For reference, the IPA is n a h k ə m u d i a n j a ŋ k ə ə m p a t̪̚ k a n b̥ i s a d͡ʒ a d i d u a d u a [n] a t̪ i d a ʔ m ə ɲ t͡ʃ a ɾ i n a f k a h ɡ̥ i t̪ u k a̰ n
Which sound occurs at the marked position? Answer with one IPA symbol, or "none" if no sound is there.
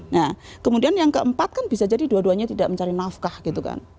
ɲ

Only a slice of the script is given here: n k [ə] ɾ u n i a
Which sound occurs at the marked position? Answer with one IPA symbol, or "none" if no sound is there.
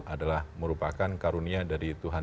a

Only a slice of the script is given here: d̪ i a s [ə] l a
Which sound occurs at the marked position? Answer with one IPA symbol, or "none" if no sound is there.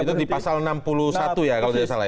a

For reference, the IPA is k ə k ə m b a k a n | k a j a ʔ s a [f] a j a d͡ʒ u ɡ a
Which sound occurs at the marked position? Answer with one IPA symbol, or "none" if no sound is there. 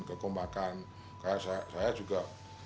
s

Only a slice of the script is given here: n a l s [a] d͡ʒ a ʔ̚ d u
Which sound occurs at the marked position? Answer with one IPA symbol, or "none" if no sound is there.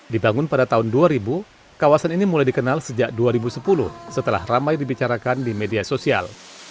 ə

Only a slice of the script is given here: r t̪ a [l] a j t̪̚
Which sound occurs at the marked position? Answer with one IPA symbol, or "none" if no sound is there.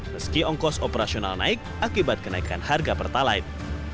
l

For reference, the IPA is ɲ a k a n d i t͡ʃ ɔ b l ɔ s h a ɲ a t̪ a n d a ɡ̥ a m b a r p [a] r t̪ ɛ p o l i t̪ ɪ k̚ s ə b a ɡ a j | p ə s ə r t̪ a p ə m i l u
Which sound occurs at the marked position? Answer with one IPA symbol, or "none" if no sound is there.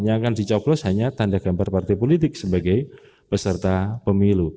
a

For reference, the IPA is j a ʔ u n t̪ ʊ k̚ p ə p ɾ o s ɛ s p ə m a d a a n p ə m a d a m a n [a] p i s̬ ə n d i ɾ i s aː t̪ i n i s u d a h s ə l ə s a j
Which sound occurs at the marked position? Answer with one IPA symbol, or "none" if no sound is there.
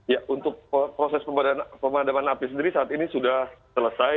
a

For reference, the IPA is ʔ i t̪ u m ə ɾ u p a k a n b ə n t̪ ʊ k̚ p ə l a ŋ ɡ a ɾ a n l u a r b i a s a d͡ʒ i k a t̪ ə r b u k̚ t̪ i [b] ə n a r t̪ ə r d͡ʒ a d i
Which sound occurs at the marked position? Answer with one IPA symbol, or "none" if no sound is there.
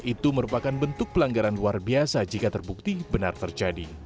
b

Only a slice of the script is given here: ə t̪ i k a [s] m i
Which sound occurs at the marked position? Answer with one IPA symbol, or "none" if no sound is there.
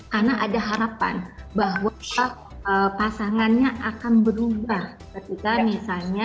none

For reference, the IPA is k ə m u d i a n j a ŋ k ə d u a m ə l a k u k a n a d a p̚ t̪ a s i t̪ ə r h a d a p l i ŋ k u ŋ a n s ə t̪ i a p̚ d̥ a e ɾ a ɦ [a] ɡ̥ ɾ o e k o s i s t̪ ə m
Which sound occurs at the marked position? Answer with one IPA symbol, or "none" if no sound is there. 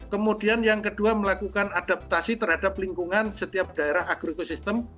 a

